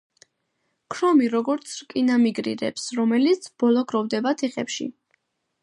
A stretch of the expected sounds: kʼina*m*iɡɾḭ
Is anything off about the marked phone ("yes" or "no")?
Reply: no